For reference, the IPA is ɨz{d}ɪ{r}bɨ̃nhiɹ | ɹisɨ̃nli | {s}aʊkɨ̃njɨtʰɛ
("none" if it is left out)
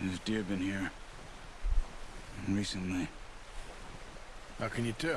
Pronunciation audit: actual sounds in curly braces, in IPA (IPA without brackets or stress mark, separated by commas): d, ɹ, h